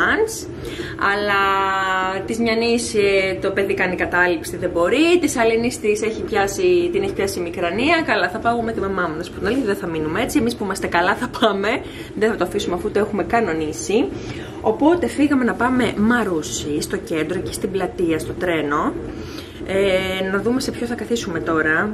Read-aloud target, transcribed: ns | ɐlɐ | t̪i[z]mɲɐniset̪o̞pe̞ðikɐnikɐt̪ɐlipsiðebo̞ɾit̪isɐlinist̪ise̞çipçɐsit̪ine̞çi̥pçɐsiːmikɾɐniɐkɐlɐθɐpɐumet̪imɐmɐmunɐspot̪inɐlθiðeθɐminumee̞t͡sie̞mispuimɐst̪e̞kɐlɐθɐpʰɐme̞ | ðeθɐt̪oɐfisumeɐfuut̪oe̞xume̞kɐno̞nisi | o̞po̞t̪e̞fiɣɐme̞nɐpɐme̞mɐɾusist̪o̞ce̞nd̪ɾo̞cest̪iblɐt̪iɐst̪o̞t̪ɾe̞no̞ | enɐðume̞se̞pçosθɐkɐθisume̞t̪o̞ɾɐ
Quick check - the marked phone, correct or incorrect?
correct